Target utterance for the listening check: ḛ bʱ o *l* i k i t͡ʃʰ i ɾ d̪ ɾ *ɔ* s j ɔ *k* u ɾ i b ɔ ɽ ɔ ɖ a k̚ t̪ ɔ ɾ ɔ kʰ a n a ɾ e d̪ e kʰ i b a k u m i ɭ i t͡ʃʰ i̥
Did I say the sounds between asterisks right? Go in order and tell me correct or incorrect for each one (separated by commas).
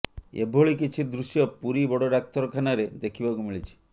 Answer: incorrect, incorrect, incorrect